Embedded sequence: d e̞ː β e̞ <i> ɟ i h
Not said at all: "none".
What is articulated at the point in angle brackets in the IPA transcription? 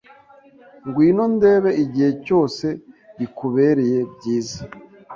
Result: i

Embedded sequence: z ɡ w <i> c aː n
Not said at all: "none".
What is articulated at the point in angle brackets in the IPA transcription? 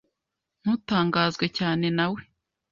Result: e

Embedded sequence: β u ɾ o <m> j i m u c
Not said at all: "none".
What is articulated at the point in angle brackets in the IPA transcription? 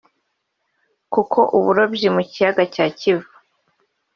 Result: b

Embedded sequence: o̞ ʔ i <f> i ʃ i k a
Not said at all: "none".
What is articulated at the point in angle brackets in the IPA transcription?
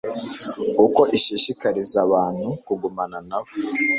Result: ʃ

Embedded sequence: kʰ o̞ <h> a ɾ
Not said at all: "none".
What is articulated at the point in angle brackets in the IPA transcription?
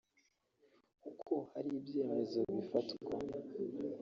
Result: h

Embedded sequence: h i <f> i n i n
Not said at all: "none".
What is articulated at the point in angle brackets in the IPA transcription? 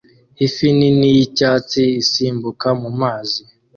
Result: f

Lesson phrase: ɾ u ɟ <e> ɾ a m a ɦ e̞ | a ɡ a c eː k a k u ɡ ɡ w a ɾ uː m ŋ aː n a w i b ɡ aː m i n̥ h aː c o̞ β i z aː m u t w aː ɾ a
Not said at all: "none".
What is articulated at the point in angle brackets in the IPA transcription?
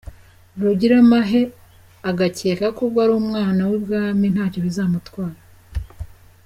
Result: i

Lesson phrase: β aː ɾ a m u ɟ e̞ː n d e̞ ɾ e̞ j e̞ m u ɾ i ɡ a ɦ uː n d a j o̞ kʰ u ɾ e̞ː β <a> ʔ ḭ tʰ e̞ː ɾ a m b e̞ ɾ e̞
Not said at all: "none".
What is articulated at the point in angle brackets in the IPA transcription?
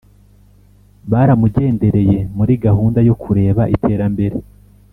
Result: a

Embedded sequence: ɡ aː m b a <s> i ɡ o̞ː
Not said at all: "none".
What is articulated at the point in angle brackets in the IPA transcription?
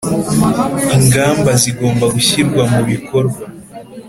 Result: z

